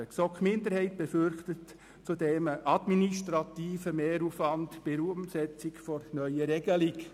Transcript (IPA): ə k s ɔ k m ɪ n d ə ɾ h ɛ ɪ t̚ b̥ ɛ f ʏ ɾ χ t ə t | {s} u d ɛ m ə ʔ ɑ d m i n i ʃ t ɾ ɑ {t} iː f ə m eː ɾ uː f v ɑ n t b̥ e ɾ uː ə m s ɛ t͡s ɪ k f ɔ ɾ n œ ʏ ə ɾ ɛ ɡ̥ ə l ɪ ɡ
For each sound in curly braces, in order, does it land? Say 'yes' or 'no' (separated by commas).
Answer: no, yes